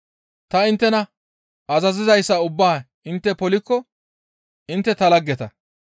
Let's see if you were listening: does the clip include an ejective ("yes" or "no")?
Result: no